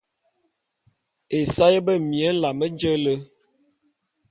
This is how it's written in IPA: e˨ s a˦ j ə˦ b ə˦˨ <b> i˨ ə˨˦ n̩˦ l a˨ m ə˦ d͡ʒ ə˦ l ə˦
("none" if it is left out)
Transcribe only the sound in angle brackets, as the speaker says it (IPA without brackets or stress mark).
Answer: m